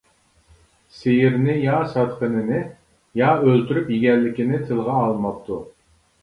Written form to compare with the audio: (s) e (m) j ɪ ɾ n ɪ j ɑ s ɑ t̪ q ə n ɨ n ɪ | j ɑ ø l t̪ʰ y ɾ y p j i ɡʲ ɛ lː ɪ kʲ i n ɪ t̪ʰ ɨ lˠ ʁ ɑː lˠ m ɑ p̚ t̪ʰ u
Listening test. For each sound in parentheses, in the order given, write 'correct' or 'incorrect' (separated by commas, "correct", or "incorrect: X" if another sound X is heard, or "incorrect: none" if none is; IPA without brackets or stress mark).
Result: correct, incorrect: none